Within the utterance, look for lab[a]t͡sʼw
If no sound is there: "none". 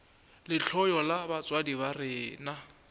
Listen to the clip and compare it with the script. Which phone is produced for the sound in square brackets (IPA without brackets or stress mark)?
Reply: a